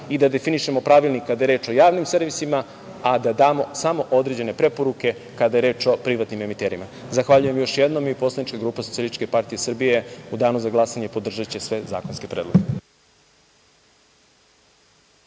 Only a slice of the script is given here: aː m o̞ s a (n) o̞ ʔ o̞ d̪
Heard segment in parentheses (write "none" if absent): m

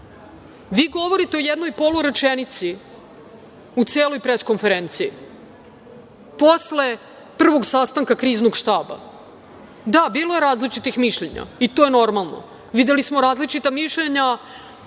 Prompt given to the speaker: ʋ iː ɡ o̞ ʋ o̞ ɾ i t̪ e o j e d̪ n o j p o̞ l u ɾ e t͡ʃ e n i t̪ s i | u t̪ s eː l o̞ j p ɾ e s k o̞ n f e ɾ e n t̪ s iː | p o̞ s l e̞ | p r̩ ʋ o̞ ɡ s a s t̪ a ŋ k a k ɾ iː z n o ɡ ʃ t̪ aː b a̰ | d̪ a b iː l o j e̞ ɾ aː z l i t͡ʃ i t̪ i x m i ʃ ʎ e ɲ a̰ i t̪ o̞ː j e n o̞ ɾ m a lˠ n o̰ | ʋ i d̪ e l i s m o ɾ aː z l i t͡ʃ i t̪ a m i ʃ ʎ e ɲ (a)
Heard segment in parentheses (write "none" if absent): a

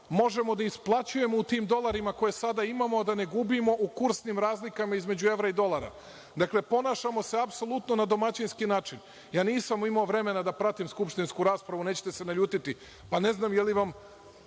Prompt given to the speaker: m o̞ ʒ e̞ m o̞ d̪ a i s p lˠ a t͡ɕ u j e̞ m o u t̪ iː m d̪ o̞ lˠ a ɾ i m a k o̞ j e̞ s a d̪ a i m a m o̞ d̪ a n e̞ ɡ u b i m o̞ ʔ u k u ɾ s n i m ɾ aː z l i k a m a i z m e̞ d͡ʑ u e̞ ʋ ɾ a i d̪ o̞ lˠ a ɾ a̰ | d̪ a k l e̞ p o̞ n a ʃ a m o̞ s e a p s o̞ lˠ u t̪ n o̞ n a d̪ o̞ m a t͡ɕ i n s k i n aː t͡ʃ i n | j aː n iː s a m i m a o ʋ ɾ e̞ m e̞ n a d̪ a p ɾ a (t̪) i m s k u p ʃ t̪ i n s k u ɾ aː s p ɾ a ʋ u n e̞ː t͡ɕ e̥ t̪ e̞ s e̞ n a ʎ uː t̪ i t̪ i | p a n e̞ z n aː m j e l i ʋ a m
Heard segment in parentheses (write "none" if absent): t̪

